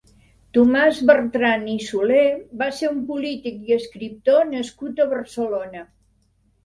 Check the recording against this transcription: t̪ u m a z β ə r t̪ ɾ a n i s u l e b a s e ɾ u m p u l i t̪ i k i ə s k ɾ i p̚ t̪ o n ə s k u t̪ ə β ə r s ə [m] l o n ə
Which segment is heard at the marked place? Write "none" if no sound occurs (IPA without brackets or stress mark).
none